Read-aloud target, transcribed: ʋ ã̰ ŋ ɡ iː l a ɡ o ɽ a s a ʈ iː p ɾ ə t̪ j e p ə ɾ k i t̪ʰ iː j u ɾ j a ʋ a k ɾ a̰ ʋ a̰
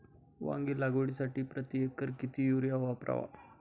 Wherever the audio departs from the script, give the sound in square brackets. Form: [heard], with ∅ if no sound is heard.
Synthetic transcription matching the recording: ʋ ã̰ ŋ ɡ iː l a ɡ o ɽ [i] s a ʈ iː p ɾ ə t̪ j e [k] ə ɾ k i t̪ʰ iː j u ɾ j a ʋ a [p] ɾ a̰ ʋ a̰

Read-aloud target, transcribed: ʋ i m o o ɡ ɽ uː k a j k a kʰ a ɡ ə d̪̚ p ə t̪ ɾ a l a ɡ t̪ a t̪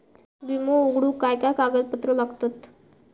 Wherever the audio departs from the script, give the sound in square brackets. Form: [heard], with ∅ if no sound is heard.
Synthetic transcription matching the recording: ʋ i m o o ɡ ɽ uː k a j k a [k] a ɡ ə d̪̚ p ə t̪ ɾ [ə] l a ɡ t̪ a t̪

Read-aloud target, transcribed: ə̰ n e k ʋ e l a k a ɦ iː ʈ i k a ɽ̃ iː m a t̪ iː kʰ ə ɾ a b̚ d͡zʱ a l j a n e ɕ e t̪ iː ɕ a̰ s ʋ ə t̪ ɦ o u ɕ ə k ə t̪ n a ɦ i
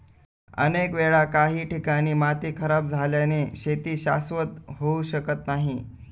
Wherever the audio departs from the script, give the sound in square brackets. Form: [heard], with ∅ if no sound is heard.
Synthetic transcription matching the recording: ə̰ n e k ʋ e [ɭ] a k a ɦ iː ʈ i k a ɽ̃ iː m a t̪ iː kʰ ə ɾ a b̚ d͡zʱ a l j a n e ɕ e t̪ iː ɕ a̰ s ʋ ə t̪ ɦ o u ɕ ə k ə t̪ n a ɦ i

